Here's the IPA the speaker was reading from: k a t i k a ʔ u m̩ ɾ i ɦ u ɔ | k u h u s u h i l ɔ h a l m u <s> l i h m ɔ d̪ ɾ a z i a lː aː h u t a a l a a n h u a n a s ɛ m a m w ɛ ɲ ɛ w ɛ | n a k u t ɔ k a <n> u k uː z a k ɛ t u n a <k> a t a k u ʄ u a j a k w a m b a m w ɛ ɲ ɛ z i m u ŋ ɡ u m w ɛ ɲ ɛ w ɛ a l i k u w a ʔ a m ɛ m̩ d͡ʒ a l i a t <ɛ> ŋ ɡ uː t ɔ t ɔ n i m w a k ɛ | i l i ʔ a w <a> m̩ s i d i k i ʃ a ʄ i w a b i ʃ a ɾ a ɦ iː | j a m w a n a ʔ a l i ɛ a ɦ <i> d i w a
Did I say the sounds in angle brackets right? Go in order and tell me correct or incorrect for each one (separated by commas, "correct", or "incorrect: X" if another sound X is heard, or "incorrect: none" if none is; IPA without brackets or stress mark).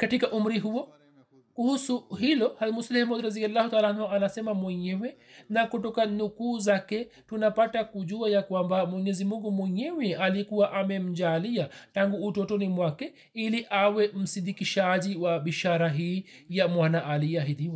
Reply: correct, correct, incorrect: p, incorrect: a, incorrect: ɛ, correct